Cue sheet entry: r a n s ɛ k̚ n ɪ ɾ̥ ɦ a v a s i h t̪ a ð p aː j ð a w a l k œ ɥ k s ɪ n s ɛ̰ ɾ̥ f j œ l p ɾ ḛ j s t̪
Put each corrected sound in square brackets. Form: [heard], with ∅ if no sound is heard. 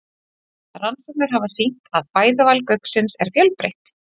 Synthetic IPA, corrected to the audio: r a n s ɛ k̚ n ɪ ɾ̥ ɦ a v a s i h t̪ a ð p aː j ð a [v] a l k œ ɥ k s ɪ n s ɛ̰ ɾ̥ f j œ l p ɾ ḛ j [h] t̪